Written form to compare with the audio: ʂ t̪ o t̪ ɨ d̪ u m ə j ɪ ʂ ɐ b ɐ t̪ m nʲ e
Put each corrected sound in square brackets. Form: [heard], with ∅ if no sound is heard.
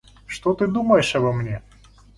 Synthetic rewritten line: ʂ t̪ o t̪ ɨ d̪ u m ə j ɪ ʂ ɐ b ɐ [∅] m nʲ e